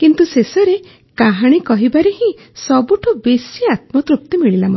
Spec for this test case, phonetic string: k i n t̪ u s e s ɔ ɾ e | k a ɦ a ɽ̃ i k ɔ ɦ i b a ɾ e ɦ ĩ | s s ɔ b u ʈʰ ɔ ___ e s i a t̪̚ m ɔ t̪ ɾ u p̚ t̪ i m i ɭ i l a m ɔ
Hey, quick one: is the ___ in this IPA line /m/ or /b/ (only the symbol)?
b